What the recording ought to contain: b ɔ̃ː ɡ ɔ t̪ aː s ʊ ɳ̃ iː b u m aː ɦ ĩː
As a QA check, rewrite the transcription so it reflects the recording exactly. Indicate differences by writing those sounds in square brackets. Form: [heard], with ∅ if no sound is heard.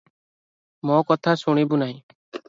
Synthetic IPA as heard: [m] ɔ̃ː [k] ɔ [t̪ʰ] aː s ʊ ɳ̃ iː b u [n] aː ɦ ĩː